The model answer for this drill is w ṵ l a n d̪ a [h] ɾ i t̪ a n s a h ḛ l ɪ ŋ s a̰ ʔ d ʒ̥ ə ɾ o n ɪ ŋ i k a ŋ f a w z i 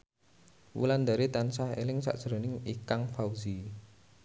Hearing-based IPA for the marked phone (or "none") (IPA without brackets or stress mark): none